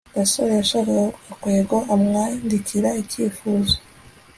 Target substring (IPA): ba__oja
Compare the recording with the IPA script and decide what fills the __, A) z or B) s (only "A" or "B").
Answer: B